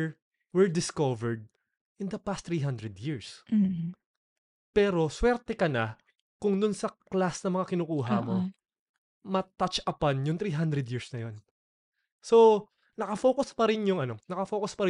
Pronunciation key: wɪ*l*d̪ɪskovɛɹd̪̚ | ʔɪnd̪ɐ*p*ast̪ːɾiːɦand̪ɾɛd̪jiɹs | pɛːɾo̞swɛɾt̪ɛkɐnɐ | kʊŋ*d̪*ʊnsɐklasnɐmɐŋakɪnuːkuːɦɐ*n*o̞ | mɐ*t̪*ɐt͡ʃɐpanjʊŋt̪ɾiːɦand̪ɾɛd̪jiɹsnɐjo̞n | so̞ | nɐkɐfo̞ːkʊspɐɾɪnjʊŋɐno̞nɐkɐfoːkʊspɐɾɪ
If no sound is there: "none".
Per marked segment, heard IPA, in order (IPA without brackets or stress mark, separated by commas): ɹ, p, d̪, m, t̪